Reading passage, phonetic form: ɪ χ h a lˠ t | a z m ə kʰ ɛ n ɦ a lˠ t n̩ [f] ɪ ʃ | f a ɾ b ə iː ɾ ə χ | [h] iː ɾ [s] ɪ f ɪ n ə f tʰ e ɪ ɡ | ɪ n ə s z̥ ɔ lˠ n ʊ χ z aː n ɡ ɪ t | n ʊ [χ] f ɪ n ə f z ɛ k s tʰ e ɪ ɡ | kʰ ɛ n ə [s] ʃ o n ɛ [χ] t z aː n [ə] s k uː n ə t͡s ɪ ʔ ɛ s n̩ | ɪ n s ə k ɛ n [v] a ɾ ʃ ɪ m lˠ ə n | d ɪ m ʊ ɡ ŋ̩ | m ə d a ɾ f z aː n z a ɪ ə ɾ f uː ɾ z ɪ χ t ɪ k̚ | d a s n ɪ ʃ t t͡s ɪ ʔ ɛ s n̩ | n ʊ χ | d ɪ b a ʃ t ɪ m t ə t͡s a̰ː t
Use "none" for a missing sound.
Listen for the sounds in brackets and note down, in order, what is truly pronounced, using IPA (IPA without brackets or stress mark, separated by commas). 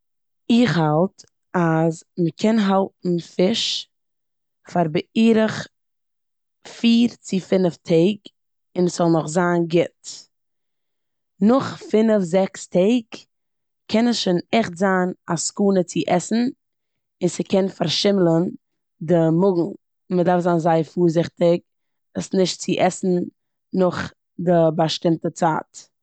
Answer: f, f, t͡s, χ, s, χ, a, f